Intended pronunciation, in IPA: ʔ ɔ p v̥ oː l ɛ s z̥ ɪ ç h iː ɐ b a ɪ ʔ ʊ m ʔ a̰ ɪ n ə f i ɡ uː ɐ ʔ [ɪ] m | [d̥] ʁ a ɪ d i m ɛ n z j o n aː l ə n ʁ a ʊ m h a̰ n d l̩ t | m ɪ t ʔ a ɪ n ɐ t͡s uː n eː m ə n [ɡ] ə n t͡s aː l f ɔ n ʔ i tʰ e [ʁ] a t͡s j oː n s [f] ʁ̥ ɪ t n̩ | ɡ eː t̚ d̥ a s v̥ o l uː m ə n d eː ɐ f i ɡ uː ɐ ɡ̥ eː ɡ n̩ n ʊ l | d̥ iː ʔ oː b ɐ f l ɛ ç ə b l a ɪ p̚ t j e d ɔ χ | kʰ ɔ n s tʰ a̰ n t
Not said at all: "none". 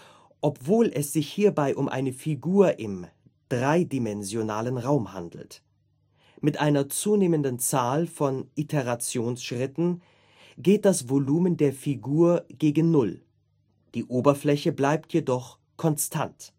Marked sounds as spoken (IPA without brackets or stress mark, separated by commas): ɪ, d̥, d, ʁ, ʃ